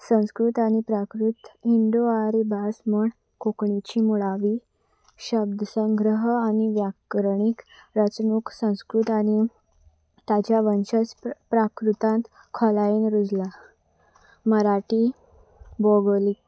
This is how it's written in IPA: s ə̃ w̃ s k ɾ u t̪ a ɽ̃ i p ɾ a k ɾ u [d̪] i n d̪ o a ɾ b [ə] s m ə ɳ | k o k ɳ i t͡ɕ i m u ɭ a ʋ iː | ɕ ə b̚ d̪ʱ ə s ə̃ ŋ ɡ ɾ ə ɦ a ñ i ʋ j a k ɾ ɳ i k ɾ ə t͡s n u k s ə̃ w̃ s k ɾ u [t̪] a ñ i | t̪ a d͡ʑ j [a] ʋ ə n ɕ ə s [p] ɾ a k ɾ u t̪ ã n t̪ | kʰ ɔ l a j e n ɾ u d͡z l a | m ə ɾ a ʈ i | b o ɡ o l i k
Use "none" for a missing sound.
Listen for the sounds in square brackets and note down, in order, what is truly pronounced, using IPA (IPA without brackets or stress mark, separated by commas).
t̪, a, t̪, a, p